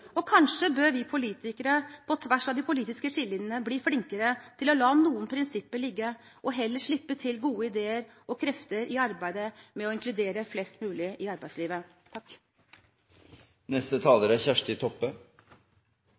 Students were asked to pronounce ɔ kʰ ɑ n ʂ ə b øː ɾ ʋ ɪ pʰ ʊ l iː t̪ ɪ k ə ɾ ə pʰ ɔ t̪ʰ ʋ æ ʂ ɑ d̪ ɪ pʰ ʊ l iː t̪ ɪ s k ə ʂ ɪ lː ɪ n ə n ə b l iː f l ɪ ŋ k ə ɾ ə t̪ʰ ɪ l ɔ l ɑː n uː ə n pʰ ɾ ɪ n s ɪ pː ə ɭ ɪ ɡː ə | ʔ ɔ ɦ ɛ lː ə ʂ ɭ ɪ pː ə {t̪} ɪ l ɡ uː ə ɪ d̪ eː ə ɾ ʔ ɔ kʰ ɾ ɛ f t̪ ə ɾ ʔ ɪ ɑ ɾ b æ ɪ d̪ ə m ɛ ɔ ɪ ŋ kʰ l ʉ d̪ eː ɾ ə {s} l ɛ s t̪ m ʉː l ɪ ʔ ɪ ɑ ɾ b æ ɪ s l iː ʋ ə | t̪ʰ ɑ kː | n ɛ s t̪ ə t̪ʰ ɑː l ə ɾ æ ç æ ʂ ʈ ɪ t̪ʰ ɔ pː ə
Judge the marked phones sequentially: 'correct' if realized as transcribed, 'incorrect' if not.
incorrect: t̪ʰ, incorrect: f

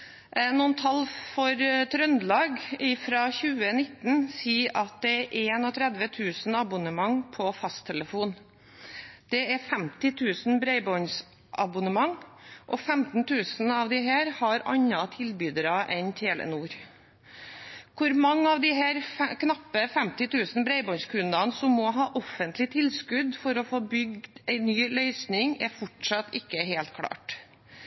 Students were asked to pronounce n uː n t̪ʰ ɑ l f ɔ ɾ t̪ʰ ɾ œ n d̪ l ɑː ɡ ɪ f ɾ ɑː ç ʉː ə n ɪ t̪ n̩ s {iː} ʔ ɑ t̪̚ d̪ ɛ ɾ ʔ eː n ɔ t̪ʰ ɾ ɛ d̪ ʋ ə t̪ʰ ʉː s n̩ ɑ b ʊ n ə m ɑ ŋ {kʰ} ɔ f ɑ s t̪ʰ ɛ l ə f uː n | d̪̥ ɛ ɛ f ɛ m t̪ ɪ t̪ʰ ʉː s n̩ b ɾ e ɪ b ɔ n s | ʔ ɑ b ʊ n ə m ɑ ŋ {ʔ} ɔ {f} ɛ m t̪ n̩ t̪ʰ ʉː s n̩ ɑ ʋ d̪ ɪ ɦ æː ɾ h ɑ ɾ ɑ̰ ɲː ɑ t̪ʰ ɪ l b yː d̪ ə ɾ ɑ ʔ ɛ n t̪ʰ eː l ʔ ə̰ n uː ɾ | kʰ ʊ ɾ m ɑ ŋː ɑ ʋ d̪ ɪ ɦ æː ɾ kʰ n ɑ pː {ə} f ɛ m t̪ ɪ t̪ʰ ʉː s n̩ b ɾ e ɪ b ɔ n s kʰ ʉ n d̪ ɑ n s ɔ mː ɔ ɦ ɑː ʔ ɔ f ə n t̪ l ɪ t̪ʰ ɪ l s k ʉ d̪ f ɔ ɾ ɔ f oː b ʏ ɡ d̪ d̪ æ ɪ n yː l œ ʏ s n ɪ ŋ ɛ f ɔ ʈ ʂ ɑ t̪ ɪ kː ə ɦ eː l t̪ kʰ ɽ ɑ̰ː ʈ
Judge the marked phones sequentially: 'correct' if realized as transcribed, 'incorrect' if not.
correct, incorrect: pʰ, correct, correct, correct

